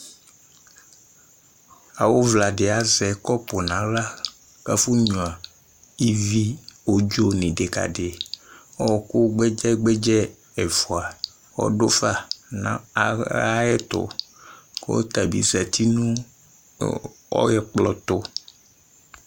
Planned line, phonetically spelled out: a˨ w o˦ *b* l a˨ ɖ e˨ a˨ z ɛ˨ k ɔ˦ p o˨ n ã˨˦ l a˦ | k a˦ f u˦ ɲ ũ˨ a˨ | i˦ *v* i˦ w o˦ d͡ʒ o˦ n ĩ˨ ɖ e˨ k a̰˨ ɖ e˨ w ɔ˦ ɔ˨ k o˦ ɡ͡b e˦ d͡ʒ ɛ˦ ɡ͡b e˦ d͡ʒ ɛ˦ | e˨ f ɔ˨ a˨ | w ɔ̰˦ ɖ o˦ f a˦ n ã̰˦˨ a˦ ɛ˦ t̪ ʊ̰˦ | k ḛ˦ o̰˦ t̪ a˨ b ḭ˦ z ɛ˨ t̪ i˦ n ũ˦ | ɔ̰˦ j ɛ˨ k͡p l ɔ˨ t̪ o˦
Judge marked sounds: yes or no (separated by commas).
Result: no, yes